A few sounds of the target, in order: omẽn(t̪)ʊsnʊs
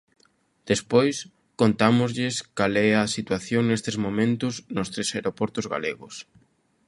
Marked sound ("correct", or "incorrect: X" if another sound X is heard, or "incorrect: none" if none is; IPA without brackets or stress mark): correct